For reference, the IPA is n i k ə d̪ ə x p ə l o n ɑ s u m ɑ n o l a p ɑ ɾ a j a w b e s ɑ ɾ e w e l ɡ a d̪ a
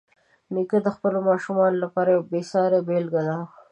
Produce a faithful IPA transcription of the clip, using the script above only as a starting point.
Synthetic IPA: n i k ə d̪ ə x p ə l o m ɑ ʃ u m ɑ n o l a p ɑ ɾ a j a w b e s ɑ ɾ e b e l ɡ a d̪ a